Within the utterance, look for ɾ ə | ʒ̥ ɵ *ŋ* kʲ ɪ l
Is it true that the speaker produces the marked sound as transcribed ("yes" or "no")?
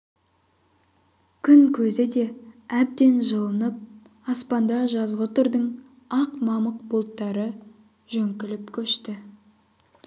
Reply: yes